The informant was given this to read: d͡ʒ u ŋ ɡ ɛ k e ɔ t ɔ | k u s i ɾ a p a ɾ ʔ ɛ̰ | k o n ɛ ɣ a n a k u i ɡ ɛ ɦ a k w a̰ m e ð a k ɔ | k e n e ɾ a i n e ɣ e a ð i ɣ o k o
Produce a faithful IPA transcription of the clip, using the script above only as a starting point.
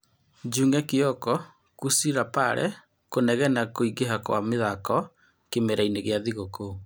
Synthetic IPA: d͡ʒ u ŋ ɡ ɛ k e ɔ k ɔ | k u s i ɾ a p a ɾ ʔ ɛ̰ | k o n ɛ ɣ ɛ n a k o i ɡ e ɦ a k w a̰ m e ð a k ɔ | k e m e ɾ a i n e ɣ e a ð i ɣ o k o